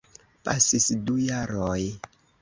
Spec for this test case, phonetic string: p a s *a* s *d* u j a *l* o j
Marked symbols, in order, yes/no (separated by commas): no, yes, no